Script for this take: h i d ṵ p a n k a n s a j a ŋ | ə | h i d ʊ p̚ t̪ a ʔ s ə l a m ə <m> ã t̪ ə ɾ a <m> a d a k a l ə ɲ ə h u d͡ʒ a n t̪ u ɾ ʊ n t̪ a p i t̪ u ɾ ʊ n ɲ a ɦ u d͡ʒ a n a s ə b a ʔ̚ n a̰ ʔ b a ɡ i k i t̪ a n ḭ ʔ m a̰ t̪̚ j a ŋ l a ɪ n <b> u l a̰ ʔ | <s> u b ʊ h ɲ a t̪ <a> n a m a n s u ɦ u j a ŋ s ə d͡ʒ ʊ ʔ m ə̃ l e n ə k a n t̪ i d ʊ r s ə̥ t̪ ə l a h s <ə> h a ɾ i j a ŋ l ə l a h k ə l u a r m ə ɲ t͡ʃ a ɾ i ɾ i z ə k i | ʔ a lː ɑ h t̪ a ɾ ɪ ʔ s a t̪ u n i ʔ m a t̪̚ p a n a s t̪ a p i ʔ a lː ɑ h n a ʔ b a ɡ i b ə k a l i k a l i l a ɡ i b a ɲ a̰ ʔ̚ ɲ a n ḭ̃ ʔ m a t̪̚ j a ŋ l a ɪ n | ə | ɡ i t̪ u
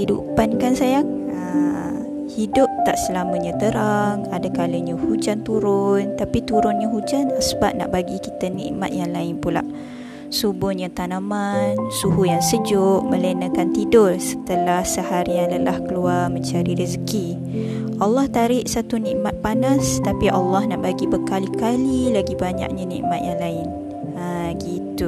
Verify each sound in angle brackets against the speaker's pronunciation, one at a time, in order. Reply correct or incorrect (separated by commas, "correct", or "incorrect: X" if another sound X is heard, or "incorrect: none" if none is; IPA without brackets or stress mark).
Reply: incorrect: ɲ, incorrect: ŋ, incorrect: p, correct, correct, correct